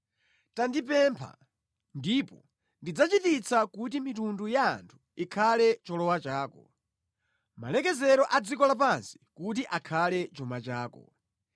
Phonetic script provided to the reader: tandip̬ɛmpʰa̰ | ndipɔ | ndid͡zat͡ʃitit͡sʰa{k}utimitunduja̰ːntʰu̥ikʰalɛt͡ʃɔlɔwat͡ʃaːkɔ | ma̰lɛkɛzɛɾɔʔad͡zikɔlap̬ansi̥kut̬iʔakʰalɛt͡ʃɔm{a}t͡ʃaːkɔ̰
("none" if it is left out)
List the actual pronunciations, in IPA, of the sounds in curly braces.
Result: k, a

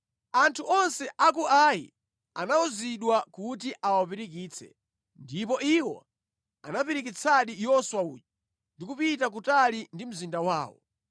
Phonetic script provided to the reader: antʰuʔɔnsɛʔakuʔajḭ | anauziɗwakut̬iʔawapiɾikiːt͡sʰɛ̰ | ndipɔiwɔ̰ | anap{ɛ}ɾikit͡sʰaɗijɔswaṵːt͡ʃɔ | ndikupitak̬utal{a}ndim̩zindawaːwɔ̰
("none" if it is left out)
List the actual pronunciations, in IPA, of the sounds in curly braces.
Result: i, i

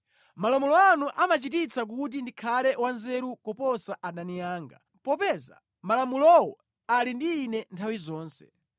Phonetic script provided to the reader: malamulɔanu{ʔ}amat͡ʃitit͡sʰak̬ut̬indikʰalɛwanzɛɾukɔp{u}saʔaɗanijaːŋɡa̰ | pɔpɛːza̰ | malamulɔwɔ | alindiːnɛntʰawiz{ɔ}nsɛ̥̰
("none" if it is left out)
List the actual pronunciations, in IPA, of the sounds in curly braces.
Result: ʔ, ɔ, ɔː

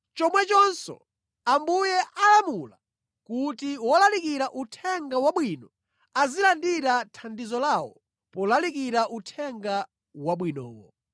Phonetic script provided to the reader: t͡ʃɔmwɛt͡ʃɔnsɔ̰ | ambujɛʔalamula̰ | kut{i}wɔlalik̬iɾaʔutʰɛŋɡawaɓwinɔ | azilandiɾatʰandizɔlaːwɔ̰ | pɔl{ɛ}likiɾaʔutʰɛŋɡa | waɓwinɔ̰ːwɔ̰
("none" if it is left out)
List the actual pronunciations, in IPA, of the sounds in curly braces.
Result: i, a

